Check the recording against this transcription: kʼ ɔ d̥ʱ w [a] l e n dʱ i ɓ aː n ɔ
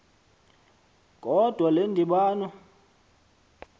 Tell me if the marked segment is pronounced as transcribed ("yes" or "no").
yes